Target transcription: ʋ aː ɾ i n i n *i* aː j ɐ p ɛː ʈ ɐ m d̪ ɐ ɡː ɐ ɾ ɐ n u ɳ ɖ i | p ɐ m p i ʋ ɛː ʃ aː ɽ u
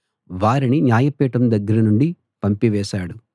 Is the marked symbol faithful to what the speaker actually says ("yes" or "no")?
no